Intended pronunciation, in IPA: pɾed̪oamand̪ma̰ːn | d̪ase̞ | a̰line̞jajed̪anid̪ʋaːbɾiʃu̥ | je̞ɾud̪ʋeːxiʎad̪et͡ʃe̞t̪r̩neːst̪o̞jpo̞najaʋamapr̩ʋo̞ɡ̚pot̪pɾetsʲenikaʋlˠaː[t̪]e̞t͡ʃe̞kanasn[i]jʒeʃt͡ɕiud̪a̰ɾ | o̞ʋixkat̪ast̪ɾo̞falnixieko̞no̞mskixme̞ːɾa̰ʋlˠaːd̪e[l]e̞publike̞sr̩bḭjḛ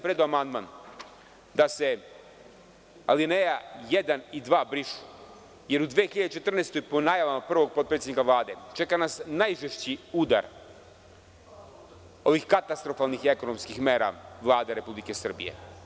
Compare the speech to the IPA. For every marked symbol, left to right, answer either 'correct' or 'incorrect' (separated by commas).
incorrect, incorrect, incorrect